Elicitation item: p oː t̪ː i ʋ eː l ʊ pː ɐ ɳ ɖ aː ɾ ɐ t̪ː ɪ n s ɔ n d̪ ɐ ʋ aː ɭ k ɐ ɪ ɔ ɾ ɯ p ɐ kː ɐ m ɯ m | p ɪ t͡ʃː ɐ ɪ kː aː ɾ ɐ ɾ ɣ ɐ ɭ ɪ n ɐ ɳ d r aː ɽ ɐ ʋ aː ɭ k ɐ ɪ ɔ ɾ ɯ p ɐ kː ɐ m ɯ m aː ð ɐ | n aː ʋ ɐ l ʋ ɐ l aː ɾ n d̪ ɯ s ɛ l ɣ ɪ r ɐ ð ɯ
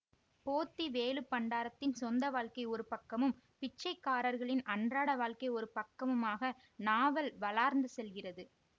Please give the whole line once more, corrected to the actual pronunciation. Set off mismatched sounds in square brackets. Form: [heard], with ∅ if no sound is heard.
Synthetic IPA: p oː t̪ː i ʋ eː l [ɯ] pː ɐ ɳ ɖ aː ɾ ɐ t̪ː ɪ n s ɔ n d̪ ɐ ʋ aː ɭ k ɐ ɪ ɔ ɾ ɯ p ɐ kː ɐ m ɯ m | p ɪ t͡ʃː ɐ ɪ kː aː ɾ ɐ ɾ ɣ ɐ ɭ ɪ n ɐ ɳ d r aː ɽ ɐ ʋ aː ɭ k ɐ ɪ ɔ ɾ ɯ p ɐ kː ɐ m ɯ m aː [ɣ] ɐ | n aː ʋ ɐ l ʋ ɐ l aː ɾ n d̪ ɯ s ɛ l ɣ ɪ r ɐ ð ɯ

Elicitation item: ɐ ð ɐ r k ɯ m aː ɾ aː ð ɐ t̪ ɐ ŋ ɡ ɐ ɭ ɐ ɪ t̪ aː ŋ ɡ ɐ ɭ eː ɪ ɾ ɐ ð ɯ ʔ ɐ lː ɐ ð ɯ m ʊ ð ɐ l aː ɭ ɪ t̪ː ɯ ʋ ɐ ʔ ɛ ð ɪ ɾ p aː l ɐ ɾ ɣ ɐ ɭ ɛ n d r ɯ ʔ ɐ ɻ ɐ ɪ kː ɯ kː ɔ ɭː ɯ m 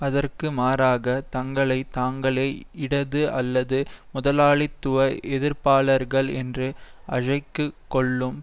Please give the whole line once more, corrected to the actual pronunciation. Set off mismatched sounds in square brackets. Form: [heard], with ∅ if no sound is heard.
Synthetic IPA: ɐ ð ɐ r k ɯ m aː ɾ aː [ɣ] ɐ t̪ ɐ ŋ ɡ ɐ ɭ ɐ ɪ t̪ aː ŋ ɡ ɐ ɭ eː ɪ [ɽ] ɐ ð ɯ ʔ ɐ lː ɐ ð ɯ m ʊ ð ɐ l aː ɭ ɪ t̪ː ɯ ʋ ɐ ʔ ɛ ð ɪ ɾ p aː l ɐ ɾ ɣ ɐ ɭ ɛ n d r ɯ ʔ ɐ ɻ ɐ ɪ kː ɯ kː ɔ ɭː ɯ m

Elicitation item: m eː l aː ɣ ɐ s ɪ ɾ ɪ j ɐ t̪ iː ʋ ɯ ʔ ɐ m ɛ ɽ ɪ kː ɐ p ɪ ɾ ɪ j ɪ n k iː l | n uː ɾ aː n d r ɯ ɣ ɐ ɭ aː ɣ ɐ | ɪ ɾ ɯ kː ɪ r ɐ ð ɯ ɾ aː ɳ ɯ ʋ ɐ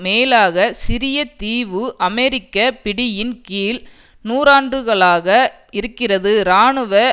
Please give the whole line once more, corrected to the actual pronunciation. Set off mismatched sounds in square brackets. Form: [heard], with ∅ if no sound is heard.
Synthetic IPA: m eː l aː ɣ ɐ s ɪ ɾ ɪ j ɐ t̪ iː ʋ ɯ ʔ ɐ m ɛ [ɾ] ɪ kː ɐ p ɪ [ɽ] ɪ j ɪ n k iː l | n uː ɾ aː n d r ɯ ɣ ɐ ɭ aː ɣ ɐ | ɪ ɾ ɯ kː ɪ r ɐ ð ɯ ɾ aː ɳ ɯ ʋ ɐ

